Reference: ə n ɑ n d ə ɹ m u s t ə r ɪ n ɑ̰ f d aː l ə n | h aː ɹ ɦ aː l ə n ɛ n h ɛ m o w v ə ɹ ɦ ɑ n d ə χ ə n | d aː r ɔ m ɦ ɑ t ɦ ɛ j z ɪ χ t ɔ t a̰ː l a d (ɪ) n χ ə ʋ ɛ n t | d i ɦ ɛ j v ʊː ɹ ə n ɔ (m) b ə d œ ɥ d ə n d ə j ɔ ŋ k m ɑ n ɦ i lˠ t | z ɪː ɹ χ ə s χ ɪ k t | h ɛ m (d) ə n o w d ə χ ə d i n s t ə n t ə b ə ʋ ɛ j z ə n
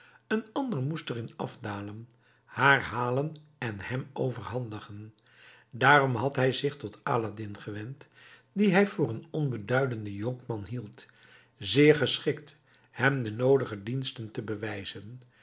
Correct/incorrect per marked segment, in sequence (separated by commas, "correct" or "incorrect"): correct, incorrect, correct